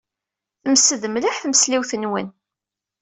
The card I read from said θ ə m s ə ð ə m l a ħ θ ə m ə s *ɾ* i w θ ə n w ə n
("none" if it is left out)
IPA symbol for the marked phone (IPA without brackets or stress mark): l